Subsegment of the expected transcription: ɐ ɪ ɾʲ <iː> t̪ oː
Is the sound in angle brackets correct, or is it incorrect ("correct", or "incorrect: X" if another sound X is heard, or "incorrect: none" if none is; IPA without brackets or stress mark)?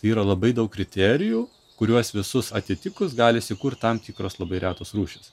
incorrect: æː